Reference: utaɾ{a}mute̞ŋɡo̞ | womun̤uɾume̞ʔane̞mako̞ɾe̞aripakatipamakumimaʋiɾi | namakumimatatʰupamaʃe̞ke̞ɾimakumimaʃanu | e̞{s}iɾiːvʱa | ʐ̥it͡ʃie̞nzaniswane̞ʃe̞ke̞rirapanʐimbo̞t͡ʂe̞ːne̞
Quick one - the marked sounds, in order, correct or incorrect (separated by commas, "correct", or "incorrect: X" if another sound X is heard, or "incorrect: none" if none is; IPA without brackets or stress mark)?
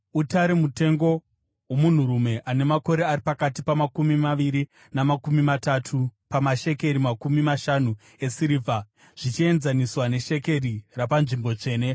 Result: incorrect: e, correct